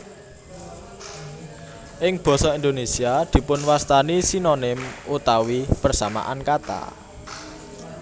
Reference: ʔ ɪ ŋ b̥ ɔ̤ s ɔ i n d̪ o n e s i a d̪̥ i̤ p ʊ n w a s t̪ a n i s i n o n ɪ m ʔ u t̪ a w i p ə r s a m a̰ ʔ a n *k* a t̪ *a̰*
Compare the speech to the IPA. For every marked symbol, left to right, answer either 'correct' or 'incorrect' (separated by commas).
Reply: correct, correct